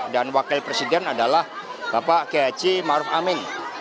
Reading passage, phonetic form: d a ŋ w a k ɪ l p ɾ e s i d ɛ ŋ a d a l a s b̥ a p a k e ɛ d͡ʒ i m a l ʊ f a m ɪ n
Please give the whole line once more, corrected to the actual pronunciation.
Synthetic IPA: d a n w a k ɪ l p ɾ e s i d ɛ n a d a l a h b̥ a p a k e a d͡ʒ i m a ɾ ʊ f a m ɪ n